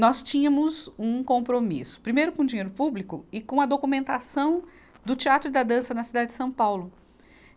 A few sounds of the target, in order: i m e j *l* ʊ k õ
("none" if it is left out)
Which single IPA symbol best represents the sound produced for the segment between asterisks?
ɾ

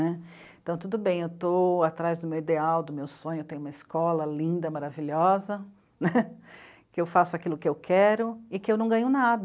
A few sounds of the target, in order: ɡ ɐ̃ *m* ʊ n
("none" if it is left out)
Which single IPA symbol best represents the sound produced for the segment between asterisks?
ɲ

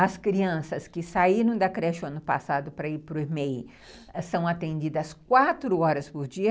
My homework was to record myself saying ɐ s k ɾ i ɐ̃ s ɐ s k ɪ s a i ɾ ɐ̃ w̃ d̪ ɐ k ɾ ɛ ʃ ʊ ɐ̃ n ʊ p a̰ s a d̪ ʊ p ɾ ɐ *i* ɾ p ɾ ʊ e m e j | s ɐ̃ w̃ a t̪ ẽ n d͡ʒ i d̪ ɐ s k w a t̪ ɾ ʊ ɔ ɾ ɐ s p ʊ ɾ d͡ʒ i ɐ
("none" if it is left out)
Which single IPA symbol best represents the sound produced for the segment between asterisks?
i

